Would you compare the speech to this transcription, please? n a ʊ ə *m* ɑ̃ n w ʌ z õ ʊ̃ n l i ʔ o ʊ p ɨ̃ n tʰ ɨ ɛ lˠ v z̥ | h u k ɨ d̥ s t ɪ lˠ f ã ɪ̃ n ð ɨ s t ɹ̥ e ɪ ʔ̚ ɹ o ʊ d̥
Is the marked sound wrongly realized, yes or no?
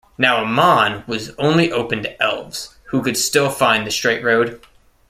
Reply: no